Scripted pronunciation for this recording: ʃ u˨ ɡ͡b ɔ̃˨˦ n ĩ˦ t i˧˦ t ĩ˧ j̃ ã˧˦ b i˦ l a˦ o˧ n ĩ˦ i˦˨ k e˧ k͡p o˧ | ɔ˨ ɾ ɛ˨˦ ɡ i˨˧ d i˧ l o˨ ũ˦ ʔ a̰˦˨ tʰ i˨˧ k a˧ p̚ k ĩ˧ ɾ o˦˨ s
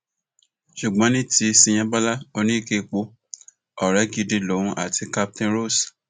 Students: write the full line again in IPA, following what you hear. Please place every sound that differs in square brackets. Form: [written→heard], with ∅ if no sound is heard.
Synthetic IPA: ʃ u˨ ɡ͡b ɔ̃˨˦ n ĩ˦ t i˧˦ [t→s] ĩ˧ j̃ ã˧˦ b [i˦→a˦] l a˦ o˧ n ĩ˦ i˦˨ k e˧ k͡p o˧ | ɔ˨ ɾ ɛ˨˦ ɡ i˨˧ d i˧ l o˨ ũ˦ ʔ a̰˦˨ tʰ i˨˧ k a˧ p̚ [k→t] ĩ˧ ɾ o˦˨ s